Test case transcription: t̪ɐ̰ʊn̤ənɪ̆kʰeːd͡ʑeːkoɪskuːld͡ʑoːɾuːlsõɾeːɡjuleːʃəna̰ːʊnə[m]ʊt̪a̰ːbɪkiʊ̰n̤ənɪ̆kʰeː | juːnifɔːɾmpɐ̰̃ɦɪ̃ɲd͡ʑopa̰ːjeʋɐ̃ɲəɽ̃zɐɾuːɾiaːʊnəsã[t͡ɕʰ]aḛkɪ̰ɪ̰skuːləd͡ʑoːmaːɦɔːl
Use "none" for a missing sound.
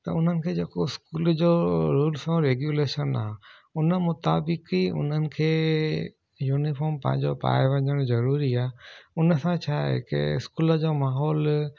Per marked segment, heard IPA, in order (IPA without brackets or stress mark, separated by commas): m, t͡ɕʰ